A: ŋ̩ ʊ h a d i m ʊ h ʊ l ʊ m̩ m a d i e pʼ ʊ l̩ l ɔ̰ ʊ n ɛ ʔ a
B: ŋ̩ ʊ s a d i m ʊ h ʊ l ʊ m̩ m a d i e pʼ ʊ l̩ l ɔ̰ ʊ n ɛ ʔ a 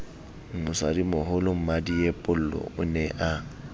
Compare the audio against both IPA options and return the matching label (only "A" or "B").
B